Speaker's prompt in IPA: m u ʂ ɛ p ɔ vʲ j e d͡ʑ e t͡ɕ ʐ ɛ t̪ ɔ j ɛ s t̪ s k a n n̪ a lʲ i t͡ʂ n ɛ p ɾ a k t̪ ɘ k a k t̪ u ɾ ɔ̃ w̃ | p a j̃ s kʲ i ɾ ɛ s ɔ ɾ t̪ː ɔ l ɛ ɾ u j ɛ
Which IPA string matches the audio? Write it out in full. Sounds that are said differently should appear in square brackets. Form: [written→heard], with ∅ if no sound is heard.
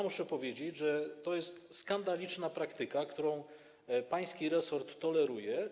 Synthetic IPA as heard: m u ʂ ɛ p ɔ vʲ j e d͡ʑ e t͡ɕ ʐ ɛ t̪ ɔ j ɛ s t̪ s k a n [n̪→d̪] a lʲ i t͡ʂ n [ɛ→a] p ɾ a k t̪ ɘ k a k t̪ u ɾ ɔ̃ w̃ | p a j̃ s kʲ i ɾ ɛ s ɔ ɾ t̪ː ɔ l ɛ ɾ u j ɛ